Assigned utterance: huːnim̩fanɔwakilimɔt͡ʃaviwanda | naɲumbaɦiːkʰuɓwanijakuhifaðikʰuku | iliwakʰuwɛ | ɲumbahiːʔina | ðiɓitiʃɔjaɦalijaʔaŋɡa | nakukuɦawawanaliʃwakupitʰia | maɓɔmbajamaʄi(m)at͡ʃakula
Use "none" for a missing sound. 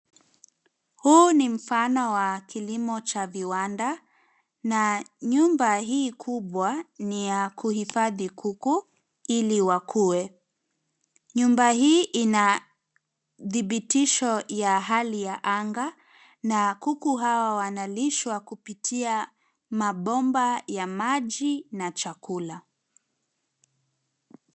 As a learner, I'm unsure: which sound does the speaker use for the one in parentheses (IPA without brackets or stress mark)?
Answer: n